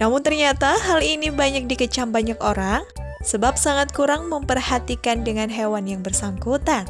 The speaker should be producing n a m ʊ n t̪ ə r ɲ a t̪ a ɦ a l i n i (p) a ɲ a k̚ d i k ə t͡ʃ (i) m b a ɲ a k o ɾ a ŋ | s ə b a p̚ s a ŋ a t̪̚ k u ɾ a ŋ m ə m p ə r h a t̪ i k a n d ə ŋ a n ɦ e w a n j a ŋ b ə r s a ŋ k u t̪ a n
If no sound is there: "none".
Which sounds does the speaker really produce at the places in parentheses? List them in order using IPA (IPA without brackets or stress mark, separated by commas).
b, a